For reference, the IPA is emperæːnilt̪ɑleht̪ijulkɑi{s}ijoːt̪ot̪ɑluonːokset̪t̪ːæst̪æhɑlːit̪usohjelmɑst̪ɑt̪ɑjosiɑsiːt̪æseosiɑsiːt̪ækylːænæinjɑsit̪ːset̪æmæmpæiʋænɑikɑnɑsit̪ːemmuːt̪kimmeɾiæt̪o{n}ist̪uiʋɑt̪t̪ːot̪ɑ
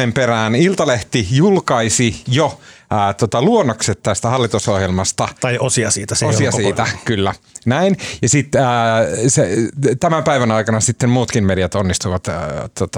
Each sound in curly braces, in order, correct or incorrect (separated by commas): correct, incorrect